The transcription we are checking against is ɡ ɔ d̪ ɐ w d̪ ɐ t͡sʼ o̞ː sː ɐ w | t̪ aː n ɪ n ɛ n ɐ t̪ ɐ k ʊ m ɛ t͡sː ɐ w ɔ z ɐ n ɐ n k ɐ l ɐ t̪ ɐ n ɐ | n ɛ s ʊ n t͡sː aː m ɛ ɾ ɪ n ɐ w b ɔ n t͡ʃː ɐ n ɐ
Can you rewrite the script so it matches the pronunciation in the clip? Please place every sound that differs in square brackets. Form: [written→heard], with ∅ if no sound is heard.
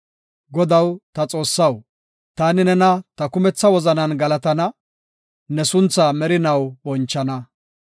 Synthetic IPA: ɡ ɔ d̪ ɐ w [d̪→t̪] ɐ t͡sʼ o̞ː sː ɐ w | t̪ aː n ɪ n ɛ n ɐ t̪ ɐ k ʊ m ɛ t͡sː ɐ w ɔ z ɐ n ɐ n [k→ɡ] ɐ l ɐ t̪ ɐ n ɐ | n ɛ s ʊ n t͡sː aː m ɛ ɾ ɪ n ɐ w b ɔ n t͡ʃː ɐ n ɐ